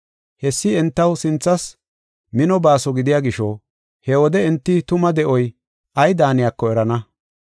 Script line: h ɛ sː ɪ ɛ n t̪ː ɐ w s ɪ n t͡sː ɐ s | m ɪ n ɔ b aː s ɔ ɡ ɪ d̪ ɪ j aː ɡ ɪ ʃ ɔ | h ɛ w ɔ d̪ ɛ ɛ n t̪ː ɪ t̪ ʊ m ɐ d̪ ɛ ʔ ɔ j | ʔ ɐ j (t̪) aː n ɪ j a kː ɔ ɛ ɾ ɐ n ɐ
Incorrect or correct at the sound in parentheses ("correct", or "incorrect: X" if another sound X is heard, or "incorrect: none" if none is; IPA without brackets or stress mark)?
incorrect: d̪